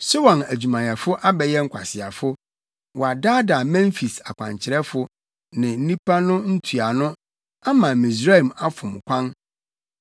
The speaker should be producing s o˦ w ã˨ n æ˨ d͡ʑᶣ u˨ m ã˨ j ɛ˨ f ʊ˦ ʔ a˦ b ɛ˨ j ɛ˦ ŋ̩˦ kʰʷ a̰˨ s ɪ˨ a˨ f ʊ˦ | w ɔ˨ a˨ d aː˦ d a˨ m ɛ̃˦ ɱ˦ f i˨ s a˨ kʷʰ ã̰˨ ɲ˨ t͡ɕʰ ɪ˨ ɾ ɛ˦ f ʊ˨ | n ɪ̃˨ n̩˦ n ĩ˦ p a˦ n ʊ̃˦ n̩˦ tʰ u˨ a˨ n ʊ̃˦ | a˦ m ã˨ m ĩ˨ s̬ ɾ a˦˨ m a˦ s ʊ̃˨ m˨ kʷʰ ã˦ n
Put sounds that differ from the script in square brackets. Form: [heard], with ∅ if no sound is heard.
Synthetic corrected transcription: s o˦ w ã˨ n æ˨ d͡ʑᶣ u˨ m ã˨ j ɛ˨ f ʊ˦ ʔ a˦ b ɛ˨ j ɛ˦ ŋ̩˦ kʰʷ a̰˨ s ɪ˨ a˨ f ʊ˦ | w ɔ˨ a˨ d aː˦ d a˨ m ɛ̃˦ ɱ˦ f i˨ s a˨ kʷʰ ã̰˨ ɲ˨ t͡ɕʰ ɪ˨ ɾ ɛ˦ f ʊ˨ | n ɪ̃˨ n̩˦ n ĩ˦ p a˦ n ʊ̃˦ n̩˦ tʰ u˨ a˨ n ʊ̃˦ | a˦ m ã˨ m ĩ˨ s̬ ɾ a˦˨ m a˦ [f] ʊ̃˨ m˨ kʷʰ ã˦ n

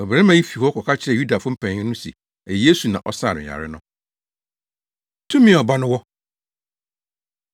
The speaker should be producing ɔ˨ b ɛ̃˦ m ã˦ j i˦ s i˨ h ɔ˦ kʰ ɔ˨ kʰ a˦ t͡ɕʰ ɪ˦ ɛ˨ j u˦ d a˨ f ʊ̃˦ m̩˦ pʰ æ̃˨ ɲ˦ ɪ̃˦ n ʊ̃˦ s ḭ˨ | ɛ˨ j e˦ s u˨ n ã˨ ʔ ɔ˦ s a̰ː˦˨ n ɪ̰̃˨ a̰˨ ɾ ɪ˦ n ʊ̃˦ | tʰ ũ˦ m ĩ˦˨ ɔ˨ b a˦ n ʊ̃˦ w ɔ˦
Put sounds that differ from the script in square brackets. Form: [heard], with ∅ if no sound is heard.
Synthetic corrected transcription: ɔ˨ b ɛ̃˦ m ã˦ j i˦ [f] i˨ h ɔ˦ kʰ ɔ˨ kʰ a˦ t͡ɕʰ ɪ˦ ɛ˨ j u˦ d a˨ f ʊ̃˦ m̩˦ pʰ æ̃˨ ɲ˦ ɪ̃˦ n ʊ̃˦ s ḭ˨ | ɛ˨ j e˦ s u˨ n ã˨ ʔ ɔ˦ s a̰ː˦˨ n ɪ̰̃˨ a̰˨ ɾ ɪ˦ n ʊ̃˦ | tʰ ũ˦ m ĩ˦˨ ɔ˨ b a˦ n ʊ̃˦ w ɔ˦

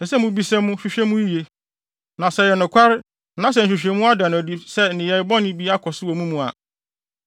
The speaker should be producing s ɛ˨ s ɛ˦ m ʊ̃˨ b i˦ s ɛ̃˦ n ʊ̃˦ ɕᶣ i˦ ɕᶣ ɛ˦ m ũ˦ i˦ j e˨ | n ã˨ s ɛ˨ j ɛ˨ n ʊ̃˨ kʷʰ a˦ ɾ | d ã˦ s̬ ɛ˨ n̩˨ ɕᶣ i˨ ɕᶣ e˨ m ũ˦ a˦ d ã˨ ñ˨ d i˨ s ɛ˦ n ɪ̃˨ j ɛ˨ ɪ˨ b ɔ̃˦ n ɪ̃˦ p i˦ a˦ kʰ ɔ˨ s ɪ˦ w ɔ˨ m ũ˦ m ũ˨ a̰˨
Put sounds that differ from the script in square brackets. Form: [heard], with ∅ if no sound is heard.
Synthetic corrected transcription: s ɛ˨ s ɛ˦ m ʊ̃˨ b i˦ s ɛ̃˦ [m] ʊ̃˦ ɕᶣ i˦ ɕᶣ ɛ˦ m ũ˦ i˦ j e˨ | n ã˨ s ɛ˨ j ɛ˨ n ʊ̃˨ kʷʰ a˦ ɾ | [n] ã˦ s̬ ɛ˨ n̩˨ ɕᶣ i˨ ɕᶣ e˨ m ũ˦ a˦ d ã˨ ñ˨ d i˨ s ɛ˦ n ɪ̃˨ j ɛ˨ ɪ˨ b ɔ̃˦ n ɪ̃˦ [b] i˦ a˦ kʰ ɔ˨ s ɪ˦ w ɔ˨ m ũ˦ m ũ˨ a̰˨

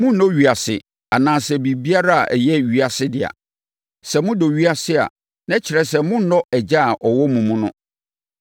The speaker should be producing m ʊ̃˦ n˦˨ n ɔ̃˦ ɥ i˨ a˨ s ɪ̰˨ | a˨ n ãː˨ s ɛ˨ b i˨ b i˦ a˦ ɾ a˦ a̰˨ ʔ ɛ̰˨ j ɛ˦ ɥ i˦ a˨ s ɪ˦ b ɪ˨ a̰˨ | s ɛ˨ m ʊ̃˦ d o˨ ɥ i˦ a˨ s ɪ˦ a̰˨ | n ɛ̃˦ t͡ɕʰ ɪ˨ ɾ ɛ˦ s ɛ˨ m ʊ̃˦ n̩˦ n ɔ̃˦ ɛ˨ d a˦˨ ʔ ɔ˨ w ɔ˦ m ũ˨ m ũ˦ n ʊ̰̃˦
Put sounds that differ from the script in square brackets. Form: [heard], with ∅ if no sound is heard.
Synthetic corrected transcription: m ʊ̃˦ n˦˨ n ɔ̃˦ ɥ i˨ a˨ s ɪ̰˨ | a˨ n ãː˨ s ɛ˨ b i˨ b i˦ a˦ ɾ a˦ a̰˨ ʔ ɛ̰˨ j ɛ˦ ɥ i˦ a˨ s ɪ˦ [d] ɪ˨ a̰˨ | s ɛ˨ m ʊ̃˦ d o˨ ɥ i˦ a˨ s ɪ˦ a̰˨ | n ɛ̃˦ t͡ɕʰ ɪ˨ ɾ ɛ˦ s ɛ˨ m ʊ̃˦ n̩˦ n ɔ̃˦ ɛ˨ [d͡ʑ] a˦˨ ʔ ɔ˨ w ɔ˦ m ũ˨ m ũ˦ n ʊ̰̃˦

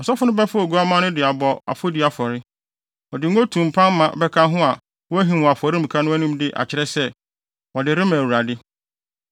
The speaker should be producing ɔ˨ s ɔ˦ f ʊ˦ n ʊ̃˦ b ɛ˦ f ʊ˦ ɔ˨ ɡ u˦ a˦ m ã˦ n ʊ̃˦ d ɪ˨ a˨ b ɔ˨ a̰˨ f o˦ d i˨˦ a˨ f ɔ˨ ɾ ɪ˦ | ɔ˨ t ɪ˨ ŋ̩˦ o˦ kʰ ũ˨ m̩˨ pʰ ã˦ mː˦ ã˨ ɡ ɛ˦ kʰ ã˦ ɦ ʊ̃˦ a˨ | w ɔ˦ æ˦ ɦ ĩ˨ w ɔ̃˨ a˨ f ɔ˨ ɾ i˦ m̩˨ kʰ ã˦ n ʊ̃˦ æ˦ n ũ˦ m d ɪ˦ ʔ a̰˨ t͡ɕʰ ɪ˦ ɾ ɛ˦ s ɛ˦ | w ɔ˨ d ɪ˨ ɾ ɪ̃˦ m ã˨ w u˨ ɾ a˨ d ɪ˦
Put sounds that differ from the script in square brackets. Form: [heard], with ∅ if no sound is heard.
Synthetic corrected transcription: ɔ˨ s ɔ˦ f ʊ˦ n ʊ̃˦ b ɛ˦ f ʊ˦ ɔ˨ ɡ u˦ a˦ m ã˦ n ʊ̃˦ d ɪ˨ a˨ b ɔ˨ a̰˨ f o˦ d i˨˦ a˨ f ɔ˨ ɾ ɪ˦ | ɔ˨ [d] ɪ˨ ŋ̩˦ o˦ [tʰ] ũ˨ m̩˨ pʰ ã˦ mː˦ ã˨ [b] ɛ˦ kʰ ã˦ ɦ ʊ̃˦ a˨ | w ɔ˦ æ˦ ɦ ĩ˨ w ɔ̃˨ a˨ f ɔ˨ ɾ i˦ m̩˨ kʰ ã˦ n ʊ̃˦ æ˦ n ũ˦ m d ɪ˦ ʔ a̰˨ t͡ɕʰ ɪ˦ ɾ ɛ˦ s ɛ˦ | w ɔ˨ d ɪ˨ ɾ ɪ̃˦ m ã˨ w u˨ ɾ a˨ d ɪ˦

